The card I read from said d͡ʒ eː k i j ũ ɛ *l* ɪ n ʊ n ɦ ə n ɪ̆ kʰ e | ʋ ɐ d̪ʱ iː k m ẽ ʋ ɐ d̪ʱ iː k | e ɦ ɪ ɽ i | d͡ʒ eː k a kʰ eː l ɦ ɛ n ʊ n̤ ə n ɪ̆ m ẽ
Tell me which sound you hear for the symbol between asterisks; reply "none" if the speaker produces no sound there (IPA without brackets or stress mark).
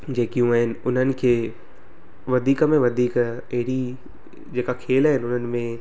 none